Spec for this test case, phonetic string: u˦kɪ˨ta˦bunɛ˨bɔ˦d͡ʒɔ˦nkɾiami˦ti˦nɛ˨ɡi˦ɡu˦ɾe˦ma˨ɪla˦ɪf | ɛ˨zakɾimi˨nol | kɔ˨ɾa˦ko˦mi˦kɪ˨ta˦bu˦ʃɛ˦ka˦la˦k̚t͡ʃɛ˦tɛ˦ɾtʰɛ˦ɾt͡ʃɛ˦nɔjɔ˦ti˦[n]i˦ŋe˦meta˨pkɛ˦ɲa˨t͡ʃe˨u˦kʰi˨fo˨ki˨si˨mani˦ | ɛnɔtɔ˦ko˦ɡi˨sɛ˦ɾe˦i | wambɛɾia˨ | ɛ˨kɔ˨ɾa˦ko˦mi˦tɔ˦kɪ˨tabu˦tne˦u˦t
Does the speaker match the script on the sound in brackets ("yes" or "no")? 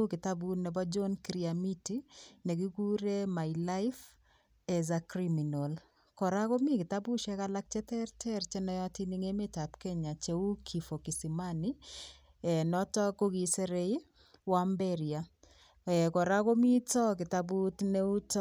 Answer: yes